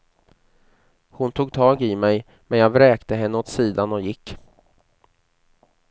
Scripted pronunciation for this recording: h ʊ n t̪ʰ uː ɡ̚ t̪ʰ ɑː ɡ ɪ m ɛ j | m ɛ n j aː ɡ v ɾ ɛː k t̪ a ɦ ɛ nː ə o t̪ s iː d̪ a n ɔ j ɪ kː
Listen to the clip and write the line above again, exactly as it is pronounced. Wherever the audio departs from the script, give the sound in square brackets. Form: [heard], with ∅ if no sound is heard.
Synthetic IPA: h ʊ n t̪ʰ uː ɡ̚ t̪ʰ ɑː ɡ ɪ m ɛ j | m ɛ n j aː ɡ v ɾ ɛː k t̪ [ə] ɦ ɛ nː ə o t̪ s iː d̪ a n ɔ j ɪ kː